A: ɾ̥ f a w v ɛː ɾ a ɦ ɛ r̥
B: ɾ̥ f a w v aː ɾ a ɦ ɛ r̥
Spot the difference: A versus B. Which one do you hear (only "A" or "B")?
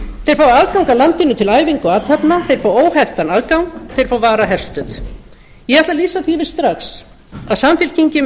B